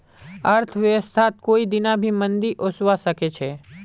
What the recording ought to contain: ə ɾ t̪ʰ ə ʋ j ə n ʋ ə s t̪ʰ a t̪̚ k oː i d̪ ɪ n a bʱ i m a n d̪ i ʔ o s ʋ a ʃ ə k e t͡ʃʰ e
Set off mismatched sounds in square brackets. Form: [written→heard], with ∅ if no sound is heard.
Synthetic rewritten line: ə ɾ t̪ʰ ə ʋ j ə [n→∅] ʋ ə s t̪ʰ a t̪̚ k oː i d̪ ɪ n a bʱ i m [a→ə] n d̪ i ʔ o s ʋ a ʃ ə k e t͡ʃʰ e